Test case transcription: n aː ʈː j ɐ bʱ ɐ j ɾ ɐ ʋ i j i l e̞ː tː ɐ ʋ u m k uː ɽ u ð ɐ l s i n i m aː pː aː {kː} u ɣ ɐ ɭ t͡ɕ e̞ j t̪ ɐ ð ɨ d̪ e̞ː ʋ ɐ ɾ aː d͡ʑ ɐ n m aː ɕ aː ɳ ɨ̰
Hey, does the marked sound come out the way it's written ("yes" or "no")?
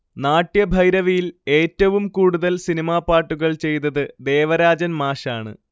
no